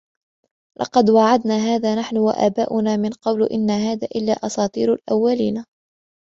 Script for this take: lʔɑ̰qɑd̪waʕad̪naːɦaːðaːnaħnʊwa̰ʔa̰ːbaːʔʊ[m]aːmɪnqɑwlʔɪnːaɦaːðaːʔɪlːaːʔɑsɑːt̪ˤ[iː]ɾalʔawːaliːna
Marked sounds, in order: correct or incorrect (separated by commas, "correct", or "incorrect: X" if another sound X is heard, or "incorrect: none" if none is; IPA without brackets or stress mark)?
incorrect: n, correct